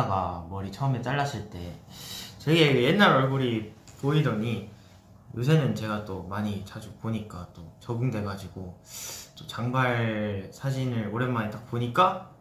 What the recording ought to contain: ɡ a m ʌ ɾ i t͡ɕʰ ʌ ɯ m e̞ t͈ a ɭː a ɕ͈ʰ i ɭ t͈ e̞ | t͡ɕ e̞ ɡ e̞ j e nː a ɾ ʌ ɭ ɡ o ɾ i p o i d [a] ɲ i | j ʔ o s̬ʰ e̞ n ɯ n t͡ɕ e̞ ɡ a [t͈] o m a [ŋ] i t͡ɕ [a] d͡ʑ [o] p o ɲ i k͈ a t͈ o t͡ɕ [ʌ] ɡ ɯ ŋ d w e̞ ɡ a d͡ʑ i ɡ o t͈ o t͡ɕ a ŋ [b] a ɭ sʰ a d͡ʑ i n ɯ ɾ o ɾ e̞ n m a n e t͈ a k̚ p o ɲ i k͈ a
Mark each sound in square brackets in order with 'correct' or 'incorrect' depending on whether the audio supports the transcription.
incorrect, correct, incorrect, correct, incorrect, correct, correct

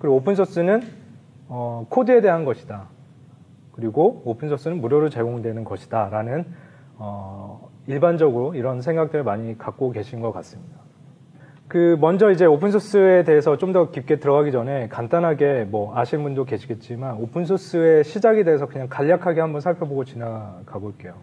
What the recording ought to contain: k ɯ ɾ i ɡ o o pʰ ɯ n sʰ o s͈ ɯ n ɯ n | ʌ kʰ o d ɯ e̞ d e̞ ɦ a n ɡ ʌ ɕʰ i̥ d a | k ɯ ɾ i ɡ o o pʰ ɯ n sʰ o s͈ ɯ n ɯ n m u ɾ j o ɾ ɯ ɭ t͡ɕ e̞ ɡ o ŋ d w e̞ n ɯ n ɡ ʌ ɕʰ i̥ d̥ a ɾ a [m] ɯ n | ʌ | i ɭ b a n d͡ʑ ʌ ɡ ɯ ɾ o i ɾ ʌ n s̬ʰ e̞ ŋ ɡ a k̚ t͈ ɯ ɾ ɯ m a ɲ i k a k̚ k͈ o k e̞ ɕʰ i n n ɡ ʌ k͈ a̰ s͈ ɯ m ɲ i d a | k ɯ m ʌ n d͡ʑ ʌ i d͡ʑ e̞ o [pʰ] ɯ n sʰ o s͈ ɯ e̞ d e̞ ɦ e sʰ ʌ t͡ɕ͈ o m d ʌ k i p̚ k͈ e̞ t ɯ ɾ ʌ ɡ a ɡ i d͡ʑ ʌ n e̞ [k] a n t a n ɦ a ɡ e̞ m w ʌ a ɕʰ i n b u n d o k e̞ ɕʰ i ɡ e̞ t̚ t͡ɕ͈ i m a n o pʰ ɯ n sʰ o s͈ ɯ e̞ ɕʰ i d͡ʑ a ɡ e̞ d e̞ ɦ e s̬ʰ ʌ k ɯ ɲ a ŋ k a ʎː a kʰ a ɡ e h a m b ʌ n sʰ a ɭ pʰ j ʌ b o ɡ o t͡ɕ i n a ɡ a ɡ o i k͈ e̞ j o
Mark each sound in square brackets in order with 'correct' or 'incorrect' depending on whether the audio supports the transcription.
incorrect, correct, correct

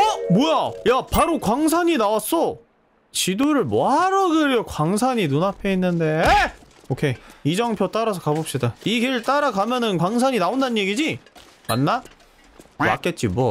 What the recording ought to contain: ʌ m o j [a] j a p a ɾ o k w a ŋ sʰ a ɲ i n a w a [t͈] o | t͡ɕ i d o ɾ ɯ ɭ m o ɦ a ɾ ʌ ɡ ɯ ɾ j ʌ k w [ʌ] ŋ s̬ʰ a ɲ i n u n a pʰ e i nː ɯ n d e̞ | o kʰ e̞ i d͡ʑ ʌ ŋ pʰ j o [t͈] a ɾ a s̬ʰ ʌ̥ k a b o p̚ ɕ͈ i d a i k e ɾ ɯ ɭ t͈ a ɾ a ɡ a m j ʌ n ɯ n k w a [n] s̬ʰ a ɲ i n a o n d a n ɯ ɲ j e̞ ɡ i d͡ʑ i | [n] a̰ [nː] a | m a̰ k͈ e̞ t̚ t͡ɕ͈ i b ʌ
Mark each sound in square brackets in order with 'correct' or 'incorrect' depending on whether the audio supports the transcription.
correct, incorrect, incorrect, correct, incorrect, incorrect, correct

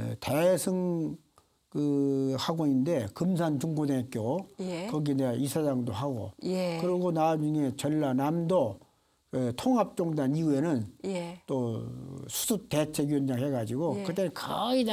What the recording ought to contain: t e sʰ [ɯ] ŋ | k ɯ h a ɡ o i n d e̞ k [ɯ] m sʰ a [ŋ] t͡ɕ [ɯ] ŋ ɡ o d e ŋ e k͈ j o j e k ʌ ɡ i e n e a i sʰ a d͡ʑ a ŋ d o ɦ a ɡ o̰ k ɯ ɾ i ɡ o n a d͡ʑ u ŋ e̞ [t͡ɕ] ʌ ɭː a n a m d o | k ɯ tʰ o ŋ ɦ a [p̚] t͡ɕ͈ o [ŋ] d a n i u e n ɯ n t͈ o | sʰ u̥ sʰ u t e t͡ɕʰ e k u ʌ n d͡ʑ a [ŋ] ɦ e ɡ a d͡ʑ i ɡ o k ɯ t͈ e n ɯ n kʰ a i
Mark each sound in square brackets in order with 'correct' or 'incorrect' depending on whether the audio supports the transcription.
correct, correct, incorrect, incorrect, correct, correct, correct, correct

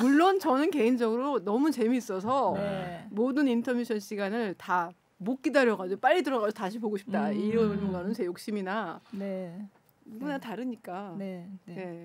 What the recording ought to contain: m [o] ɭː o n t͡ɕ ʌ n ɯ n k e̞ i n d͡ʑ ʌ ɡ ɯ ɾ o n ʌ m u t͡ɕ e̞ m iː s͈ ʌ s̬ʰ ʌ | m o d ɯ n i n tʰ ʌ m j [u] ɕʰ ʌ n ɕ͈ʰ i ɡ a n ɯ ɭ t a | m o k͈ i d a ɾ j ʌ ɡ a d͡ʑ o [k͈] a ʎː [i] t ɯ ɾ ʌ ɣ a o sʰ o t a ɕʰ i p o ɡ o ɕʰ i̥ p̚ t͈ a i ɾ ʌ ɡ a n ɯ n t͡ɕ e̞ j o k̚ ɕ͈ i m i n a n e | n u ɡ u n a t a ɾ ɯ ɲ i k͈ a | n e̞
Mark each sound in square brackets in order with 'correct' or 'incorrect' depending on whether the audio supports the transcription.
incorrect, correct, incorrect, correct

